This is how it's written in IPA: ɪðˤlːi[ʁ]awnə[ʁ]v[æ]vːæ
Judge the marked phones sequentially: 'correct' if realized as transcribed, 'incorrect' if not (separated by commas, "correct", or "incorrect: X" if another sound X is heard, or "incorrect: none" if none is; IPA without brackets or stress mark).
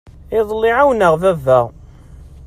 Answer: incorrect: ʕ, correct, correct